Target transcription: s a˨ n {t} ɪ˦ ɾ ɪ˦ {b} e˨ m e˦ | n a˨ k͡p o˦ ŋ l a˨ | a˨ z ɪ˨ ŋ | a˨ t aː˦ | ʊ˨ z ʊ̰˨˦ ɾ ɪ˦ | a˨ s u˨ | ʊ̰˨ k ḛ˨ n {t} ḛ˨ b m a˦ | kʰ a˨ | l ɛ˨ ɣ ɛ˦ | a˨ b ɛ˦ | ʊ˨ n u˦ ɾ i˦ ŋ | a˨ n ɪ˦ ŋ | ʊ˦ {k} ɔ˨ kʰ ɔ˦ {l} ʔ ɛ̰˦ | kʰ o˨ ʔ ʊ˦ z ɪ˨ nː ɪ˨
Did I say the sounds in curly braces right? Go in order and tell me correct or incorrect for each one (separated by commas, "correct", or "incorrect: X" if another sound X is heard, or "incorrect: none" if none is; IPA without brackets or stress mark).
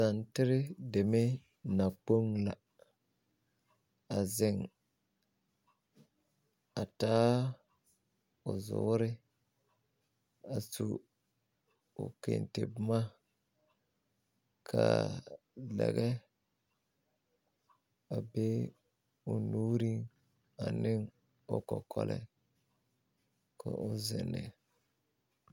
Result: correct, incorrect: d, correct, correct, correct